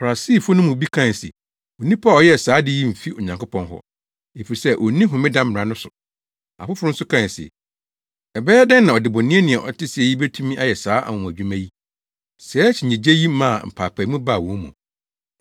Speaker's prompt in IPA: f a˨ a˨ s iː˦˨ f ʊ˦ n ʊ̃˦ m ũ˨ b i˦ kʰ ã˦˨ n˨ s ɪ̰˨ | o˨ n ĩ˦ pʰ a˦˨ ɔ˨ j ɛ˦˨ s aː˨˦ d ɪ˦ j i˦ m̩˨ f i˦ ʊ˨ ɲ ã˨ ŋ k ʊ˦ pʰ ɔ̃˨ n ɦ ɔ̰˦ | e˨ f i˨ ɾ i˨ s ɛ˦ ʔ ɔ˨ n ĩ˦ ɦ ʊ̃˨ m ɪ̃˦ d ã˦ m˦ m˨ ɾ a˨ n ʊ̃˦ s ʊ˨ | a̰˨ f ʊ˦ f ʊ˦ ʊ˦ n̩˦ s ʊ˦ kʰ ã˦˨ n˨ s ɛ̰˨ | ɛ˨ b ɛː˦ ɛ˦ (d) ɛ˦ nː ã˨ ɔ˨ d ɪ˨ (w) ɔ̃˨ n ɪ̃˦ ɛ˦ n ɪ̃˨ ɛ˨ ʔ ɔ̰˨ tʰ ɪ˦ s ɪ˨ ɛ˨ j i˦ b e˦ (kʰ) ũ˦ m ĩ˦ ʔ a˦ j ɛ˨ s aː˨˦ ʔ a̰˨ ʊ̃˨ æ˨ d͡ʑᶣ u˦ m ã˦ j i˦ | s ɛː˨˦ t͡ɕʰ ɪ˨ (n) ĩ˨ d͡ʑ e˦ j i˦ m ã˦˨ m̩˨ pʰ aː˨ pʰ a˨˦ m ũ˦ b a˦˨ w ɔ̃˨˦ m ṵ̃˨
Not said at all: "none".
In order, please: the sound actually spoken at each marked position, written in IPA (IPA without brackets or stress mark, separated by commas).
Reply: d, b, tʰ, ɲ